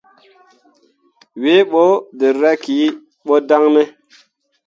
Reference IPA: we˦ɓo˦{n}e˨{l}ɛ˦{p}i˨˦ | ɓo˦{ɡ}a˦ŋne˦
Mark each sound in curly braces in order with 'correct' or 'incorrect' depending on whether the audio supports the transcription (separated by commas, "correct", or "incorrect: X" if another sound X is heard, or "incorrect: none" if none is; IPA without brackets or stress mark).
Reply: incorrect: d, incorrect: ɾ, incorrect: k, incorrect: d